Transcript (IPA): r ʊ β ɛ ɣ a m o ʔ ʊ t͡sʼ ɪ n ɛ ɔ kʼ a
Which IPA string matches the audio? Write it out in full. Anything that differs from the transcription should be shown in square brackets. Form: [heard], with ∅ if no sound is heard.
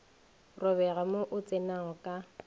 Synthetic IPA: r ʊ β ɛ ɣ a m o ʔ ʊ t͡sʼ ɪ n [a] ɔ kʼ a